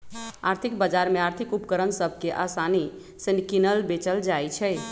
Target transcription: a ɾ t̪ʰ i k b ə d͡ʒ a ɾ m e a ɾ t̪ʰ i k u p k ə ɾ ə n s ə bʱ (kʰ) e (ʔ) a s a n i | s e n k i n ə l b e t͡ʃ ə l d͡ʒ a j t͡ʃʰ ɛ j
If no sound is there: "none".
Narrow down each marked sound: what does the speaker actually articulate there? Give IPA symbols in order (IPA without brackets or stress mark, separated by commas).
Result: k, ʔ